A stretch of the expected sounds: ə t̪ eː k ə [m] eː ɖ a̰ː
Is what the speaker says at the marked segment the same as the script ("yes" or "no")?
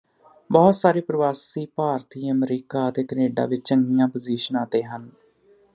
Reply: no